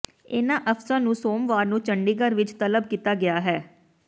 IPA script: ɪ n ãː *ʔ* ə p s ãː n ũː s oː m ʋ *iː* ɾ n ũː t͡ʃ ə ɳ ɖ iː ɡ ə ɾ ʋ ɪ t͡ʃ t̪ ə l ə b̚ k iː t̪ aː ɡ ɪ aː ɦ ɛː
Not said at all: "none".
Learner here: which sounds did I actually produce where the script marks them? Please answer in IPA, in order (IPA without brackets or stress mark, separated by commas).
ʔ, aː